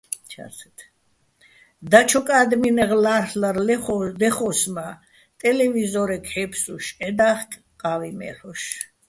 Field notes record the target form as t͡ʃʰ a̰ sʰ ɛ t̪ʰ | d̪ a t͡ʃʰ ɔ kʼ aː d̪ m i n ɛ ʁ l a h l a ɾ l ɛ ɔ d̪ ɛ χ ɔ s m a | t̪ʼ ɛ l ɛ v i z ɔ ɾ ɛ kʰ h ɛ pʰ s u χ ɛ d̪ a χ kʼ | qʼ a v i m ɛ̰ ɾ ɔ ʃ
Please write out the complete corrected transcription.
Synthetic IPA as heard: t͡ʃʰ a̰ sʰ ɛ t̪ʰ | d̪ a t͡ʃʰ ɔ kʼ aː d̪ m i n ɛ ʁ l a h l a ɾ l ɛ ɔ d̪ ɛ χ ɔ s m a | t̪ʼ ɛ l ɛ v i z ɔ ɾ ɛ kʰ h ɛ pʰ s u ʃ ɛ d̪ a χ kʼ | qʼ a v i m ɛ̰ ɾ ɔ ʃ